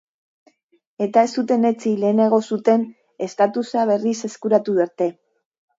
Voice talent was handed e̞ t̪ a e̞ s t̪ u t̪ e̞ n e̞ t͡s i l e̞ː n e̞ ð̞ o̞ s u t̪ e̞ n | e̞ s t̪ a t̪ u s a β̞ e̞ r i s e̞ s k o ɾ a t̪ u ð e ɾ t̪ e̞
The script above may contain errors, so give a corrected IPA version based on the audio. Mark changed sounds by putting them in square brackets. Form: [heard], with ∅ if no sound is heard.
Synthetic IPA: e̞ t̪ a e̞ s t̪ u t̪ e̞ n e̞ t͡s i l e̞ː n e̞ [ɣ̞] o̞ s u t̪ e̞ n | e̞ s t̪ a t̪ u s a β̞ e̞ r i s e̞ s k [u] ɾ a t̪ u ð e ɾ t̪ e̞